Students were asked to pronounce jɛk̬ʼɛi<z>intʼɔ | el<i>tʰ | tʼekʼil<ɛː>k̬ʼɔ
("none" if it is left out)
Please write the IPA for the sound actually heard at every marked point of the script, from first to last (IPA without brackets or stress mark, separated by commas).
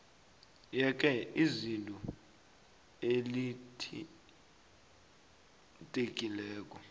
z, i, ɛː